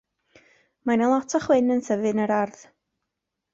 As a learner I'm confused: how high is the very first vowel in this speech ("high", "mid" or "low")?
low